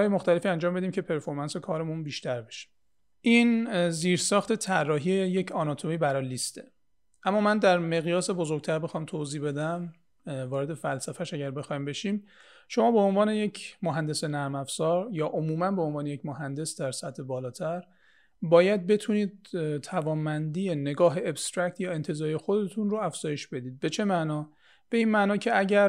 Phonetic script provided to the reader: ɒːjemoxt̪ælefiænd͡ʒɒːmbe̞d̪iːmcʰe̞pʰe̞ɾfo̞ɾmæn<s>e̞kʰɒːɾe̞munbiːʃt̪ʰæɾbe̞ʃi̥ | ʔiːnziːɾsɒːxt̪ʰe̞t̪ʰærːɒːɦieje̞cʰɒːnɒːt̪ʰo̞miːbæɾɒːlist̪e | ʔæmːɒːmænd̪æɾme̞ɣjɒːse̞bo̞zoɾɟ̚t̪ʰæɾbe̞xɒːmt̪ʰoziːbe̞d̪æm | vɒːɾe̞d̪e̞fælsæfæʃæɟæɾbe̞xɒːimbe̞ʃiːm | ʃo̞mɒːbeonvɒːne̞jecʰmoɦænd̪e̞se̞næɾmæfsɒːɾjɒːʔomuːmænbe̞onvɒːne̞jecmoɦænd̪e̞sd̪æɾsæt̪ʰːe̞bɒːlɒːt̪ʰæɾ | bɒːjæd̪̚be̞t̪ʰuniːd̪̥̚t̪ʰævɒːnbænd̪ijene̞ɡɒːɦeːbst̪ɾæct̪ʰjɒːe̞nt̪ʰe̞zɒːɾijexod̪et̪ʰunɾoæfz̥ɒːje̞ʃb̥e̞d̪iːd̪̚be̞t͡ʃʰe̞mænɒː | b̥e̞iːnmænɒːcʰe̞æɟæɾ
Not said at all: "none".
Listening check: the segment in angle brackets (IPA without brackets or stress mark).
s